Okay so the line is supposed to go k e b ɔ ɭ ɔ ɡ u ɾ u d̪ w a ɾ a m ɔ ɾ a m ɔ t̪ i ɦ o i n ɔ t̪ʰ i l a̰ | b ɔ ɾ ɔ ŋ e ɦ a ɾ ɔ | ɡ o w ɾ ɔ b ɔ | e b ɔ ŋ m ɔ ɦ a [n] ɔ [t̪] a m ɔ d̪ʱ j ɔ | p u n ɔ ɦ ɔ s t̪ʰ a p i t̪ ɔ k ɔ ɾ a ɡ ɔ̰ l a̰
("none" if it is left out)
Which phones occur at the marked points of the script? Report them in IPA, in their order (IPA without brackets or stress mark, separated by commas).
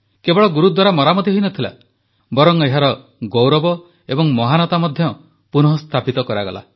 n, t̪